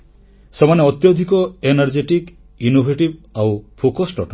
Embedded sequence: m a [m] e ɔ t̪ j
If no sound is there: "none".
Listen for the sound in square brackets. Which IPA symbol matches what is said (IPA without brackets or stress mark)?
n